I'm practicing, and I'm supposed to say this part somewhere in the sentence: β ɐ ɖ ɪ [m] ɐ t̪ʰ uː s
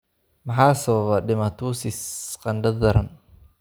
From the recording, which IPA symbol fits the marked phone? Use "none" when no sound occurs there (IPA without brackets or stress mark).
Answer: m